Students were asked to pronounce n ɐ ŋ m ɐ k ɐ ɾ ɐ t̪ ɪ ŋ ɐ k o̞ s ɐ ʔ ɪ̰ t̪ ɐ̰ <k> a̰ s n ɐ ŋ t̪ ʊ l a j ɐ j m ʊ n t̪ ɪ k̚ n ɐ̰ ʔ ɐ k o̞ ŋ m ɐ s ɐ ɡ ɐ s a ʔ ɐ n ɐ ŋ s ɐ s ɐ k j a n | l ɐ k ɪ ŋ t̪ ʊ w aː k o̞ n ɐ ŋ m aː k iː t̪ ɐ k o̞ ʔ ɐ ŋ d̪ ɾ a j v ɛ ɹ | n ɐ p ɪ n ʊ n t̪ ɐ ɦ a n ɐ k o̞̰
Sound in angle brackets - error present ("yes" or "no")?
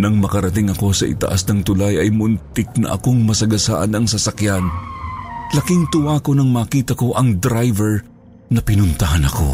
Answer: yes